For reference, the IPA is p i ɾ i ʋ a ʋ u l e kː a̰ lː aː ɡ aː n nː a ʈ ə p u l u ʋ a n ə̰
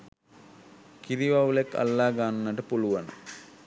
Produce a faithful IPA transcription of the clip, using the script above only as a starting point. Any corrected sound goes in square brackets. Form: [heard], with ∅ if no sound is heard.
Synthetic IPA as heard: [k] i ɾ i ʋ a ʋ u l e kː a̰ lː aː ɡ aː n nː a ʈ ə p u l u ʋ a n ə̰